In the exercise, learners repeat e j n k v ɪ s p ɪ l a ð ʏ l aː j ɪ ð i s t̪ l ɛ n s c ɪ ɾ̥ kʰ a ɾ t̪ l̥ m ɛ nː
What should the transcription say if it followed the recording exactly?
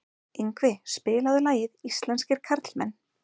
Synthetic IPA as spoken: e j ŋ k v ɪ s p ɪː l a ð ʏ l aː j ɪ ð i s t̪ l ɛ n s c ɪ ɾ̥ kʰ a ɾ t̪ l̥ m ɛ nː